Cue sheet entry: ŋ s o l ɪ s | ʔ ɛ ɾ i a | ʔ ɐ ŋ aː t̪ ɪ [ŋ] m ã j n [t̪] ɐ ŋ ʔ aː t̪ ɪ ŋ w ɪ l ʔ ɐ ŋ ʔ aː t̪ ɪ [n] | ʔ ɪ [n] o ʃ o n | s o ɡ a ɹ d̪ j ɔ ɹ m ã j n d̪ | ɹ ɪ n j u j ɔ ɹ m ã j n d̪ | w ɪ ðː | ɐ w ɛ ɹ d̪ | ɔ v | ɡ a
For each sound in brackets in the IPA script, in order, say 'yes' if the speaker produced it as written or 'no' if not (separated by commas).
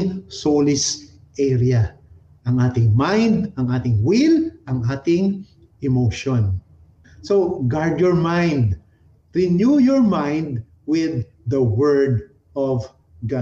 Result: yes, no, no, no